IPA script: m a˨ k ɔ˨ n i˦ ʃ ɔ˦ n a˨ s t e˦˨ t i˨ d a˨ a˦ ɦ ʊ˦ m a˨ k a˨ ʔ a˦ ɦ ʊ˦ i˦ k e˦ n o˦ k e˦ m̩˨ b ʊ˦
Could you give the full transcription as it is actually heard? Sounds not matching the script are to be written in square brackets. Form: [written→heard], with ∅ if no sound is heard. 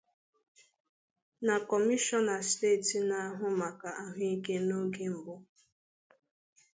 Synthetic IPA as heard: [m→n] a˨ k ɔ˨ [n→m] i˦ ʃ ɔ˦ n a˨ s t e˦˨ t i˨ [d→n] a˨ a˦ ɦ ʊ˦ m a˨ k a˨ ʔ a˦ ɦ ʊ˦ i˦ k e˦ n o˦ [k→ɡ] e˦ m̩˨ b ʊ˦

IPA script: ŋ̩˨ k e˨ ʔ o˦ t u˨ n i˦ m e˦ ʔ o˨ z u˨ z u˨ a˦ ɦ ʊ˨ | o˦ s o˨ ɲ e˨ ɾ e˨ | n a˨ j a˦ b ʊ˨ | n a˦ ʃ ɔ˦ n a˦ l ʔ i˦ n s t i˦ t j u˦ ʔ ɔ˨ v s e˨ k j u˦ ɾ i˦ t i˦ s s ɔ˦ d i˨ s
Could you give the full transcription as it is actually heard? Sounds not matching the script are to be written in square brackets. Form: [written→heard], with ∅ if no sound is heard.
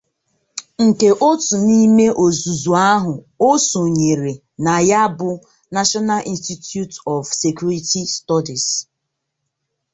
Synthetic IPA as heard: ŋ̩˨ k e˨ ʔ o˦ t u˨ n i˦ m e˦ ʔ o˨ z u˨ z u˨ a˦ ɦ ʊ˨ | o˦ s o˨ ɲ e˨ ɾ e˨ | n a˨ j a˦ b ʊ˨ | n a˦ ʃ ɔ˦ n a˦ l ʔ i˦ n s t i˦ t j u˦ [ʔ→t] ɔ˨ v s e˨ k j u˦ ɾ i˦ t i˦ s [s→t] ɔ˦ d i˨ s

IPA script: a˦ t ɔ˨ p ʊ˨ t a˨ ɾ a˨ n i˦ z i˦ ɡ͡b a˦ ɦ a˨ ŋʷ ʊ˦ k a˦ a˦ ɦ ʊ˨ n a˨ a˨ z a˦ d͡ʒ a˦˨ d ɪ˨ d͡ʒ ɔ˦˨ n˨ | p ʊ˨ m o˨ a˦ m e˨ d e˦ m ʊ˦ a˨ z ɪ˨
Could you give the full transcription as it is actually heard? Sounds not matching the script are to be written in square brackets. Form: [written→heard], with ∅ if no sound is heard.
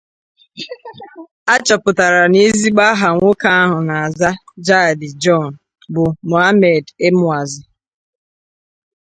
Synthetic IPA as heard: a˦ [t→t͡ʃ] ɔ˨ p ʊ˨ t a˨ ɾ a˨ n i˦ z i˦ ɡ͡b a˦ ɦ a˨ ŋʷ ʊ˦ k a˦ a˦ ɦ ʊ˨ n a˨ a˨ z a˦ d͡ʒ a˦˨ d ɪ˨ d͡ʒ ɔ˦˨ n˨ | [p→b] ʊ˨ m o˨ a˦ m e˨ d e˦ m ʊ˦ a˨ z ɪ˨

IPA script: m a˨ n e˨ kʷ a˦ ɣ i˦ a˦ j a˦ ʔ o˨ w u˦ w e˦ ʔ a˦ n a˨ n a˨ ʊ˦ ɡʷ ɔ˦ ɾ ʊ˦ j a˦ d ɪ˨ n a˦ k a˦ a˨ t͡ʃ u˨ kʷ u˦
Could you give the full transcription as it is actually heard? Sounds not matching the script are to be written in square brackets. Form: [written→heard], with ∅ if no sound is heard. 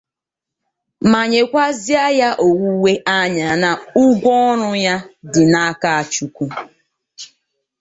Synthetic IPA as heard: m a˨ [n→ɲ] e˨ kʷ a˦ [ɣ→z] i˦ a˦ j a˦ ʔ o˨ w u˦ w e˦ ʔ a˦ [n→ɲ] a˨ n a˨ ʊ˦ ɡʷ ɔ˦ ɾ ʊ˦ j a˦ d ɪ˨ n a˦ k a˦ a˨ t͡ʃ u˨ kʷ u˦

